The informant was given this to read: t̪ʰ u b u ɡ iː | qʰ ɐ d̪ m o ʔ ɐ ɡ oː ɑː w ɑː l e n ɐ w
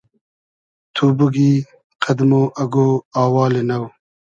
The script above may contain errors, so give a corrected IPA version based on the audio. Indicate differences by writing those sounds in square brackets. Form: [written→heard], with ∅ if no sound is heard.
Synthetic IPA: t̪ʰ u b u ɡ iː | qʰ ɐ d̪ m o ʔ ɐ ɡ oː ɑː w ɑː l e n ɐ w